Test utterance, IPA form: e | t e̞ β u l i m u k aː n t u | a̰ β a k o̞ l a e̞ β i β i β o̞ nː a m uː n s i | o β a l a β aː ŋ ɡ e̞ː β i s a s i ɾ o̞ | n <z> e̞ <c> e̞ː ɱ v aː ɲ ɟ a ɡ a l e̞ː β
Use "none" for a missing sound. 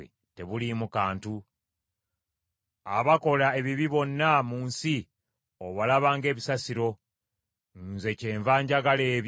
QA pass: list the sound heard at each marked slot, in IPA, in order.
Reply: z, c

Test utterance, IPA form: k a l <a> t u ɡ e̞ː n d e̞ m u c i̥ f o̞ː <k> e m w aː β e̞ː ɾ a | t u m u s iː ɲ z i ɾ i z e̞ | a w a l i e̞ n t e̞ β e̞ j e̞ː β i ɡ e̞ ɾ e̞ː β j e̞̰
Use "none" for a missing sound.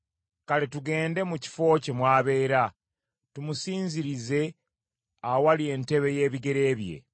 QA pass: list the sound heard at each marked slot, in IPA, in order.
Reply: e, c

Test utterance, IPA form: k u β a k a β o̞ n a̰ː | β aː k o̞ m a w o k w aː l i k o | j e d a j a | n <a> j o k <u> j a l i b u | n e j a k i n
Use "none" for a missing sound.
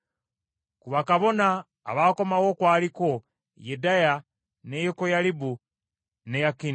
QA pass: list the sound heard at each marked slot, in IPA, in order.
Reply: e, o

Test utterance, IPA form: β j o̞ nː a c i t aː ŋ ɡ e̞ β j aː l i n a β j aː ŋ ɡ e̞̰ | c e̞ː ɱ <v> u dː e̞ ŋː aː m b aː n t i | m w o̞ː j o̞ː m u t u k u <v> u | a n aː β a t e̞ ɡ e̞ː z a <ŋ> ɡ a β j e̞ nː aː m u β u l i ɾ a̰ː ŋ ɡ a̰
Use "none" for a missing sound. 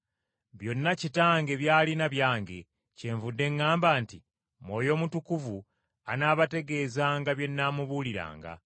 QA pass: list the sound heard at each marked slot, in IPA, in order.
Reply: v, v, ŋ

